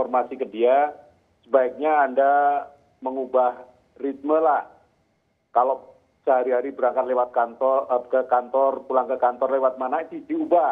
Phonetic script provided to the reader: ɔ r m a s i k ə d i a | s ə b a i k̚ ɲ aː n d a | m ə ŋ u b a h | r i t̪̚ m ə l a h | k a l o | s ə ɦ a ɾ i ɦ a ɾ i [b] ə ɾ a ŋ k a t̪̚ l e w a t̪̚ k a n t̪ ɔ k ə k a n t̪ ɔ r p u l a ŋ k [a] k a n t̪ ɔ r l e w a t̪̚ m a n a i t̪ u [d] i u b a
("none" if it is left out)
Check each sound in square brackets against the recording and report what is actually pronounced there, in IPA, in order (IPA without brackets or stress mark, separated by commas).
b, ə, d